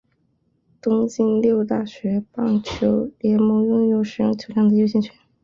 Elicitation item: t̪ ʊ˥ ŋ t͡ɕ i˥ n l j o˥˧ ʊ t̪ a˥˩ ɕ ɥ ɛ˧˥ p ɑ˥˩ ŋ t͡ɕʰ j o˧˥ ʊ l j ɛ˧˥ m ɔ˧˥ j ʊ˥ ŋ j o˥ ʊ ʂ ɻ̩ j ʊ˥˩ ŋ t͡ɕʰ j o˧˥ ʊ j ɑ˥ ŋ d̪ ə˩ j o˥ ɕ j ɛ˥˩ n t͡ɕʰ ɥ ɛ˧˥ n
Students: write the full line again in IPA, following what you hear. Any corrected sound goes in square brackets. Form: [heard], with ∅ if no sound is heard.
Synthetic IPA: t̪ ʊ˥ ŋ t͡ɕ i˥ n l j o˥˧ ʊ t̪ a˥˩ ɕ ɥ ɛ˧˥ p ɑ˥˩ ŋ t͡ɕʰ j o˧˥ ʊ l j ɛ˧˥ m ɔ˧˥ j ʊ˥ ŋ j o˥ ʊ ʂ ɻ̩ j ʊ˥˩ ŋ t͡ɕʰ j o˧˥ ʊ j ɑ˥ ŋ d̪ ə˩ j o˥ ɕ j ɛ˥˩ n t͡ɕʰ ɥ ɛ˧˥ n